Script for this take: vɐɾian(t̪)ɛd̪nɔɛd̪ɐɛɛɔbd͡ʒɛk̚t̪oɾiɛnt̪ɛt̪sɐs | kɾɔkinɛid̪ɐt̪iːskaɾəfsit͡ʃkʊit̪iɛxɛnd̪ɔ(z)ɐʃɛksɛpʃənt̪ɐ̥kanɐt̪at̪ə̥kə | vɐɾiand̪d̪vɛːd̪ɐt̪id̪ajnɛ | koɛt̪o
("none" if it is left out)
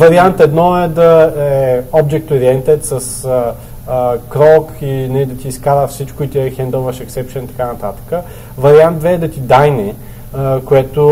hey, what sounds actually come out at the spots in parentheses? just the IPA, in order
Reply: t̪, v

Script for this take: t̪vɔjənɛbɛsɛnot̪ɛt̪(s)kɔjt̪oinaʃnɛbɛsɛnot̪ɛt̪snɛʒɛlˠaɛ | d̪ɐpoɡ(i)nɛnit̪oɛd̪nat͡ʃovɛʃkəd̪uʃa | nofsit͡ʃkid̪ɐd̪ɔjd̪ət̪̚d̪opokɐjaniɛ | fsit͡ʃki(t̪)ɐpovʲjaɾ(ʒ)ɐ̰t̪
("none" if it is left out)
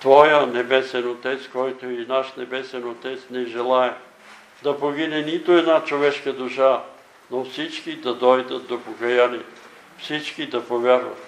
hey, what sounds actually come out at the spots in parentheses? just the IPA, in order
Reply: s, i, d̪, v

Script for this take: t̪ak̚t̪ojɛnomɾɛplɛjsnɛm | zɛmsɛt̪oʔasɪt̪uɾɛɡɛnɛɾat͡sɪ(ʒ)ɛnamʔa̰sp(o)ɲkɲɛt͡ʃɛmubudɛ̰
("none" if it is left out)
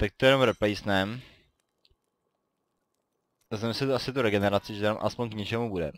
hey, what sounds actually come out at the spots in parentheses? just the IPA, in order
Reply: ʒ, o

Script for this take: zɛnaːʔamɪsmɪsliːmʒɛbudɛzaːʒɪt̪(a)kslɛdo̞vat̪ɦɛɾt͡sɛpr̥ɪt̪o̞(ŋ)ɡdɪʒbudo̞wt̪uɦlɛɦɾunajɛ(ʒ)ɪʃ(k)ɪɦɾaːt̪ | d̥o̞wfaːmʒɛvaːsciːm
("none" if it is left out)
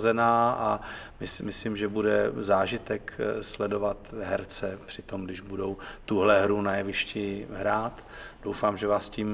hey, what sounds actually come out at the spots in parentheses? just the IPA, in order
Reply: ɛ, m, v, c

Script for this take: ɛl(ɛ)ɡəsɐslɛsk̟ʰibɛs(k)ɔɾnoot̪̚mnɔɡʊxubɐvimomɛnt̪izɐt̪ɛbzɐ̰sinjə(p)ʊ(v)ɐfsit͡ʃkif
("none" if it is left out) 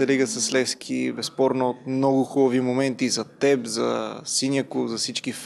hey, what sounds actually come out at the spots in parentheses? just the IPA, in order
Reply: i, p, k, z

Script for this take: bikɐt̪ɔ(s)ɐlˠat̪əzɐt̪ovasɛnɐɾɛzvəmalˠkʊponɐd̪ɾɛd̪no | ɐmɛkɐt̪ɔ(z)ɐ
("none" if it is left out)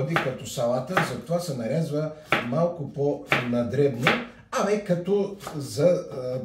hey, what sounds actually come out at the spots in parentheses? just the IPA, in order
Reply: s, z

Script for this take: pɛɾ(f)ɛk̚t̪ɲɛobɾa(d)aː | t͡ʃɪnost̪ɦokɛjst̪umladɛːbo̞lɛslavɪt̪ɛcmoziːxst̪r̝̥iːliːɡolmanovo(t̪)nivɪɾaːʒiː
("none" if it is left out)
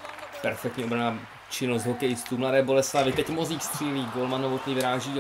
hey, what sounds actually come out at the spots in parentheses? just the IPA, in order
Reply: f, n, t̪

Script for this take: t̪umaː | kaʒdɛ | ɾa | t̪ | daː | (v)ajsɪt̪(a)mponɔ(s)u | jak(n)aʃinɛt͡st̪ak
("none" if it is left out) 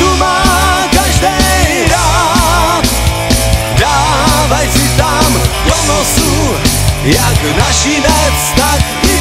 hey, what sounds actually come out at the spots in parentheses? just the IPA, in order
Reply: v, a, s, n

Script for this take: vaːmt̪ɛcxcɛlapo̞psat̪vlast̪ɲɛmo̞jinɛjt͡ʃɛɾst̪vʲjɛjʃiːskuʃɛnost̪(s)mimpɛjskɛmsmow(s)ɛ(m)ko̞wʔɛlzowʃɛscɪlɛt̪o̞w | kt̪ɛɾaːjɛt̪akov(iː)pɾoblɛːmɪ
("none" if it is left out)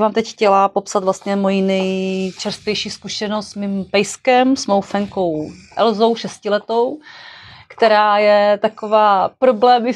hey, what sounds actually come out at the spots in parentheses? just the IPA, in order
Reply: s, f, ŋ, aː

